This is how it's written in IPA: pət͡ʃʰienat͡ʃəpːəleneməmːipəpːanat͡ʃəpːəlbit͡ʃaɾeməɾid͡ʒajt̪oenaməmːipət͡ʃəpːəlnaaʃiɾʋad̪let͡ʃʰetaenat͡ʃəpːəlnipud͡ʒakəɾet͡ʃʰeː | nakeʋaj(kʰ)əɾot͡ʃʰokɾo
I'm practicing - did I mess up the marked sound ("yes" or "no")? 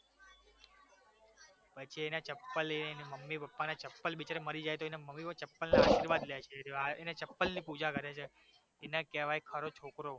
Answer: no